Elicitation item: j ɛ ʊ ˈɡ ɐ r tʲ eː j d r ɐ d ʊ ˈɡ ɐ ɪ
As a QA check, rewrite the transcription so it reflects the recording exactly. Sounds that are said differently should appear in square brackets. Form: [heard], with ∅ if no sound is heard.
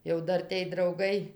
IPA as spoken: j ɛ ʊ [ˈd] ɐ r tʲ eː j d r ɐ [∅] ʊ ˈɡ ɐ ɪ

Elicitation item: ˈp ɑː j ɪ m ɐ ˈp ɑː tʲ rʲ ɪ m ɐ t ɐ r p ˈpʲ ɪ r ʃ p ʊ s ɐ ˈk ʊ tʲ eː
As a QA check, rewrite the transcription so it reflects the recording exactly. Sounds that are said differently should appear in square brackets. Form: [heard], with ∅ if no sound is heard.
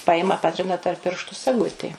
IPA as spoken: ˈp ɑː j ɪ m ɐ ˈp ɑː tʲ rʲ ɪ [n] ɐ t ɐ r p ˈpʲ ɪ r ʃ [t] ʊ s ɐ [ˈɡ] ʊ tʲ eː

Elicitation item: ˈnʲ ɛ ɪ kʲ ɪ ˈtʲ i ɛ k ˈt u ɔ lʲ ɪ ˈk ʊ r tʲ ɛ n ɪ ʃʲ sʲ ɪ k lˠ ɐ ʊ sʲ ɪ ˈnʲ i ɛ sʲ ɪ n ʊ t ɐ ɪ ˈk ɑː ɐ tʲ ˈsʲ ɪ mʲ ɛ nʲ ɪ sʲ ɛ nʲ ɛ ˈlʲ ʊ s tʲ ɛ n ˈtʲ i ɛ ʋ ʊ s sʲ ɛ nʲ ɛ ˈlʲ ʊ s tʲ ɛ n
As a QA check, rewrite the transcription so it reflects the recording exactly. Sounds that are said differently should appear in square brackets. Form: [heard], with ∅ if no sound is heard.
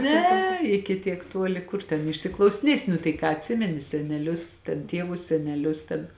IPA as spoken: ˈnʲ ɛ ɪ kʲ ɪ ˈtʲ i ɛ k ˈt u ɔ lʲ ɪ ˈk ʊ r tʲ ɛ n ɪ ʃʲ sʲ ɪ k lˠ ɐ ʊ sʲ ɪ ˈnʲ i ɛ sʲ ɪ n ʊ t ɐ ɪ ˈk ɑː ɐ tʲ ˈsʲ ɪ mʲ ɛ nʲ ɪ sʲ ɛ nʲ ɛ ˈlʲ ʊ s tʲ ɛ n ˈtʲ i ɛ ʋ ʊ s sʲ ɛ nʲ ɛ ˈlʲ ʊ s tʲ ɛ n

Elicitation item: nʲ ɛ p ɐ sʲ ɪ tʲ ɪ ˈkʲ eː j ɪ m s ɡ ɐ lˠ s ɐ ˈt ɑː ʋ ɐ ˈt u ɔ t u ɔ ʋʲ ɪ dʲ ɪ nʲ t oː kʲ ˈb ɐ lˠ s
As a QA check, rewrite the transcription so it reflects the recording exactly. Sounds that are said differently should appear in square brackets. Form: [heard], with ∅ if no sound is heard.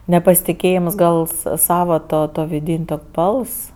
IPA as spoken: nʲ ɛ p ɐ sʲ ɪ tʲ ɪ ˈkʲ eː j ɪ m s ɡ ɐ lˠ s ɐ [ˈs] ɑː ʋ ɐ ˈt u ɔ t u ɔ ʋʲ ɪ dʲ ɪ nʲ t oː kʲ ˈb ɐ lˠ s

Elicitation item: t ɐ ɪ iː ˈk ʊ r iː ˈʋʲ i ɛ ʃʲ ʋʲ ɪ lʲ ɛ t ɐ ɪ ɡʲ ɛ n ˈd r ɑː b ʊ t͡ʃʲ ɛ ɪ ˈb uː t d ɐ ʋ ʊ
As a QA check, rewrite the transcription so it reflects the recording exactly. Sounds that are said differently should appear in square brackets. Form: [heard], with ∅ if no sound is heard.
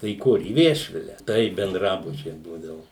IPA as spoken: t ɐ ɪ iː ˈk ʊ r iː ˈʋʲ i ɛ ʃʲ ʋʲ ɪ lʲ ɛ t ɐ ɪ [bʲ] ɛ n ˈd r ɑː b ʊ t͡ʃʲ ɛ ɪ ˈb uː [∅] d ɐ ʋ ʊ

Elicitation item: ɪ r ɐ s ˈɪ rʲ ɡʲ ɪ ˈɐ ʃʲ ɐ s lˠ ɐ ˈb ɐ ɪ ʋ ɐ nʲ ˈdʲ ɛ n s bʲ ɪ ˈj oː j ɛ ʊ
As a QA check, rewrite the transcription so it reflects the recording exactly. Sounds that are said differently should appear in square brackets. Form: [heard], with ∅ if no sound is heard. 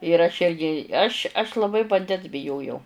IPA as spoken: ɪ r ɐ [ʃ] ˈɪ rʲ ɡʲ ɪ ˈɐ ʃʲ ɐ [ʃ] lˠ ɐ ˈb ɐ ɪ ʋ ɐ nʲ ˈdʲ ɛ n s bʲ ɪ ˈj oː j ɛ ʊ

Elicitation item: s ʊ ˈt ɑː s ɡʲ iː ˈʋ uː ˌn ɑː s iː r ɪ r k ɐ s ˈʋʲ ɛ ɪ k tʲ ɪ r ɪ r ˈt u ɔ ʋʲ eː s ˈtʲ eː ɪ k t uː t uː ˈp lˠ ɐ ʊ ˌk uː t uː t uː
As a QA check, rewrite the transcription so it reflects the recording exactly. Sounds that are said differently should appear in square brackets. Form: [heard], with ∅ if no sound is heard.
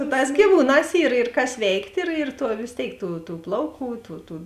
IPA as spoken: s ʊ ˈt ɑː s ɡʲ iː ˈʋ uː ˌn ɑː s iː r ɪ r k ɐ s ˈʋʲ ɛ ɪ k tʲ ɪ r ɪ r ˈt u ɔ ʋʲ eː s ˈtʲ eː ɪ k t uː t uː ˈp lˠ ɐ ʊ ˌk uː t uː t uː

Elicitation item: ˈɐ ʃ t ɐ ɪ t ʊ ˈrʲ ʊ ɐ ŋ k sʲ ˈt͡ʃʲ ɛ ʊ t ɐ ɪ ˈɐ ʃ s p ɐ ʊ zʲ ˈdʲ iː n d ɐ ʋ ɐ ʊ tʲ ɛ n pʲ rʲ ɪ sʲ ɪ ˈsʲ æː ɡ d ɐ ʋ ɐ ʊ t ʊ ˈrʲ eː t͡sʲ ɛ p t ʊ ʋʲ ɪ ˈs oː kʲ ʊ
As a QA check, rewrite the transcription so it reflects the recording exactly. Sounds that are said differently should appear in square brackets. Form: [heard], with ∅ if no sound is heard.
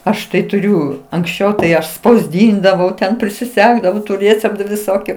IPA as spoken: ˈɐ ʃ t ɐ ɪ t ʊ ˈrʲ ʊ ɐ ŋ k sʲ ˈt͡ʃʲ ɛ ʊ t ɐ ɪ ˈɐ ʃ s p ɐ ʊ zʲ ˈdʲ iː n d ɐ ʋ ɐ ʊ tʲ ɛ n pʲ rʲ ɪ sʲ ɪ ˈsʲ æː ɡ d ɐ ʋ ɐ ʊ t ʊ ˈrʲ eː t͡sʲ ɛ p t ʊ ʋʲ ɪ ˈs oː kʲ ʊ

